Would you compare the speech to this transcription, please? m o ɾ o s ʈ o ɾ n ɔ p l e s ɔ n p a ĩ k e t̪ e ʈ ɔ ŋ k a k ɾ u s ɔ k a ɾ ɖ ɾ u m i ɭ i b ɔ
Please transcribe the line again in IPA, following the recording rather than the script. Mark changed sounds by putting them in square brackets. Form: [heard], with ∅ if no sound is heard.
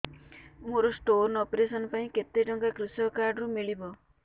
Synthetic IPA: m o ɾ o s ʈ o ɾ n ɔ p [ɾ] e s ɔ n p a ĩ k e t̪ e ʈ ɔ ŋ k a k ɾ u s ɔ k a ɾ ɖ ɾ u m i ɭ i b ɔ